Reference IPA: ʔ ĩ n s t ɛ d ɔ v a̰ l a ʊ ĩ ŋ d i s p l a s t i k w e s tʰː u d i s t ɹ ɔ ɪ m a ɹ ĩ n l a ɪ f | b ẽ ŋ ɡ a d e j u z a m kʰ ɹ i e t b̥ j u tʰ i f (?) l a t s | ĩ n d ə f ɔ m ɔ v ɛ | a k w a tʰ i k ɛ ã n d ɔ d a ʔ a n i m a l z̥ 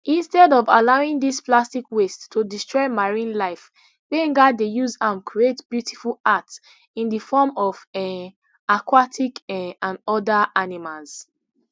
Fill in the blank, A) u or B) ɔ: A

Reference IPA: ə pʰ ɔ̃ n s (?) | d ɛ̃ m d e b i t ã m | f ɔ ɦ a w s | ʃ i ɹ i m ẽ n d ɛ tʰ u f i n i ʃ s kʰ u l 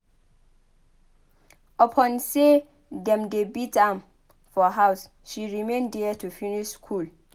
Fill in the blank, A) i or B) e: B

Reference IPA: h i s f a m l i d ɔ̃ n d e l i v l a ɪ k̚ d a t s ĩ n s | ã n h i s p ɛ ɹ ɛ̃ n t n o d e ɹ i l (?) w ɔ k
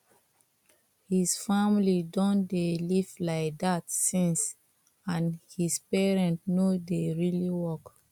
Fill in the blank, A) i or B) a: A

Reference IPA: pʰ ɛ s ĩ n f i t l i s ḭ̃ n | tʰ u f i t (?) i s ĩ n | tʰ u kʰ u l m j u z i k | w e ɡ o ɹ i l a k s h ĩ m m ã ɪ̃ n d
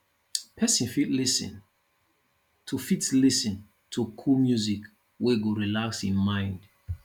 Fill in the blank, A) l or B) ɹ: A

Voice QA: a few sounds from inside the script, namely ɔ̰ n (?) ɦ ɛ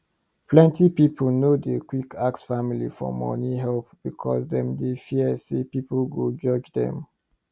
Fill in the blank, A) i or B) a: A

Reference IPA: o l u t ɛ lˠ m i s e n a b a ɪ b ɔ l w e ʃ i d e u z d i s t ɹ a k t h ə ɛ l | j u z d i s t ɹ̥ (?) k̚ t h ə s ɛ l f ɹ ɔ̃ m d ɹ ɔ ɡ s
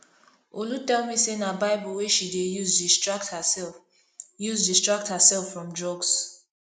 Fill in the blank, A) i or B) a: B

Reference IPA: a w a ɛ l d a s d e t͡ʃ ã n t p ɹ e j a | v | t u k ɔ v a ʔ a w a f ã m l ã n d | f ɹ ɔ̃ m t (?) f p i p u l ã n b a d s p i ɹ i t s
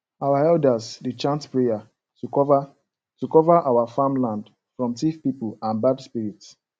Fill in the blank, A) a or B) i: B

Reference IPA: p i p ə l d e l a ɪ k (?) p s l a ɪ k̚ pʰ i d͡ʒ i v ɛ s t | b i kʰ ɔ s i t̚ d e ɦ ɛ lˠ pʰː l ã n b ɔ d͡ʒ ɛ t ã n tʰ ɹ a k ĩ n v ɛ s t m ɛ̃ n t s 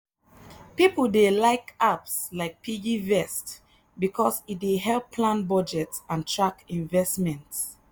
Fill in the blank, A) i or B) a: B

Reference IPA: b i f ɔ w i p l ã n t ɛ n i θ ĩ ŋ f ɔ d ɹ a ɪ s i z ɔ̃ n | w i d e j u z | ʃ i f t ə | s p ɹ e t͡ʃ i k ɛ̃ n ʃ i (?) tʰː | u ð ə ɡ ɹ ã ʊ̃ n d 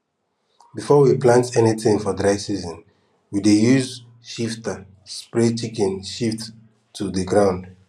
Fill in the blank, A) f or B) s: A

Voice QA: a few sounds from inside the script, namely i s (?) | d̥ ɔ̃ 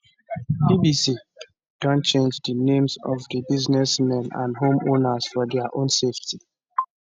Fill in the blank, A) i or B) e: A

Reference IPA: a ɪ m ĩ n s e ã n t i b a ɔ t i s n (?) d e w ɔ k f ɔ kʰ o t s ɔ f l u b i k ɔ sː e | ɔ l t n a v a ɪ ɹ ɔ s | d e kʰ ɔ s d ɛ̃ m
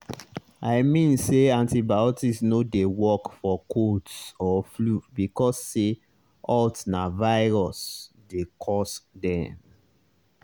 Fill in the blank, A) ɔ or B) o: B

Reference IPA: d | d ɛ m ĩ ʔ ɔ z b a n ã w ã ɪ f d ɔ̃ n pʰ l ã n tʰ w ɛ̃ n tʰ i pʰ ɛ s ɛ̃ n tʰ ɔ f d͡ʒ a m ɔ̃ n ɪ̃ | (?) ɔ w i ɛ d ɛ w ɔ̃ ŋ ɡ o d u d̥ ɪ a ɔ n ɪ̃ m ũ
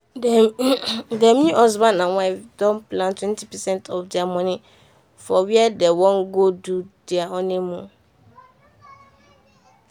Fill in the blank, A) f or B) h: A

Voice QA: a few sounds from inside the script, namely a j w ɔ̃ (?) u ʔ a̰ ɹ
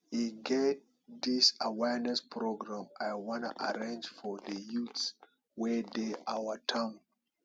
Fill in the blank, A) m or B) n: B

